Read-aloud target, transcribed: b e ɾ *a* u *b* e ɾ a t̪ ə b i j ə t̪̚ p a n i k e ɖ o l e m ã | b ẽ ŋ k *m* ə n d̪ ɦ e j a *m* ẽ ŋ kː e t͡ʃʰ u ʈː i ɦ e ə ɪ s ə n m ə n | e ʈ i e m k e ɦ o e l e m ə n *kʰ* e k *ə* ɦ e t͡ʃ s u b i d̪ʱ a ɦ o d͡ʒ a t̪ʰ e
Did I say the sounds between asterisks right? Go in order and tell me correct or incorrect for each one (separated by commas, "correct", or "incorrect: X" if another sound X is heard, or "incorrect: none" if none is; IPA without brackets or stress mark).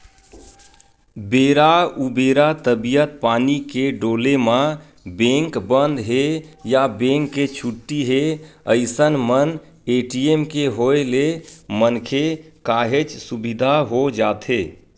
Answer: correct, correct, incorrect: b, incorrect: b, correct, incorrect: a